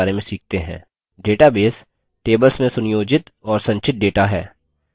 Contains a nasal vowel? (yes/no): yes